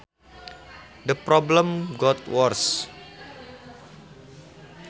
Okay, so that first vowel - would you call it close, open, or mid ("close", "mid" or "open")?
mid